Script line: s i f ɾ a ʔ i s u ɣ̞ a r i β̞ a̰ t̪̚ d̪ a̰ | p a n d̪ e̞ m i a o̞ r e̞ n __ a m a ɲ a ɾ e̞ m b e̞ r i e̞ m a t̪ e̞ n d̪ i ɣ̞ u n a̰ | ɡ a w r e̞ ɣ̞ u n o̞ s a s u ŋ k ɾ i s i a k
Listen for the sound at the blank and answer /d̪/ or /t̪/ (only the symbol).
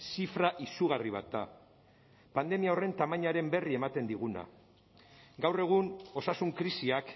t̪